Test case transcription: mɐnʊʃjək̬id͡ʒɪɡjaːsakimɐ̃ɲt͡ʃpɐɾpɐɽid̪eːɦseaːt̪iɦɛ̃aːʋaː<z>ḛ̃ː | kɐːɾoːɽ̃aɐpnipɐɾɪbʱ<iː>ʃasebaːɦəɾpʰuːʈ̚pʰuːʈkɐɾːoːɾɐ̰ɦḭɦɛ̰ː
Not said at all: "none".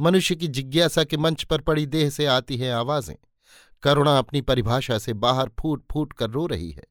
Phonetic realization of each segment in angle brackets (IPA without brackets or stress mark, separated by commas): z, aː